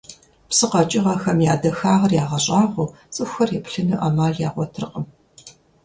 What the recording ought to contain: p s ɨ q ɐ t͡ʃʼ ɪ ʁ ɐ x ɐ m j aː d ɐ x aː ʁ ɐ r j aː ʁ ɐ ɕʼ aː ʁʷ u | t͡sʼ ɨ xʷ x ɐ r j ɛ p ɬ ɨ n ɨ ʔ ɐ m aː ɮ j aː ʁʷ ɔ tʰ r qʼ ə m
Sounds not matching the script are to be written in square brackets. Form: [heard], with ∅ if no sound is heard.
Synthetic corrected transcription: p s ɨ q ɐ t͡ʃʼ ɪ ʁ ɐ x ɐ m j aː d ɐ x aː ʁ ɐ r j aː ʁ ɐ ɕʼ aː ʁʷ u | t͡sʼ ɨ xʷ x ɐ r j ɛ p ɬ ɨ n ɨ ʔ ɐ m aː ɮ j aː ʁʷ ɔ tʰ r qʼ ə m